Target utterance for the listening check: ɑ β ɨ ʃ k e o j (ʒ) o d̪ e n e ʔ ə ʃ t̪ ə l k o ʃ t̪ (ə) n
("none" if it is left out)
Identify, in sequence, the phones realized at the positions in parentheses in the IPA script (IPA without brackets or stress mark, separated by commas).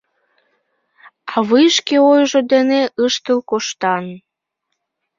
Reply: ʒ, ɑ